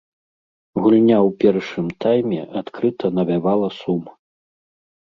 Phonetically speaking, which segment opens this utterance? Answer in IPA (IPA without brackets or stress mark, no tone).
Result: ɣ